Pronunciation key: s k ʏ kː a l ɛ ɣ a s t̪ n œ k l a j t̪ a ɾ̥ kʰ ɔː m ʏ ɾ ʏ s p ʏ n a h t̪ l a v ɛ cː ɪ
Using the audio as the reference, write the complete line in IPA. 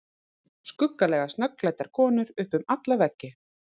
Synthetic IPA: s k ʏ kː a l ɛ ɣ a s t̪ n œ k l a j t̪ a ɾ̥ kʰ ɔː n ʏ ɾ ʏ h p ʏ m a t̪ l a v ɛ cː ɪ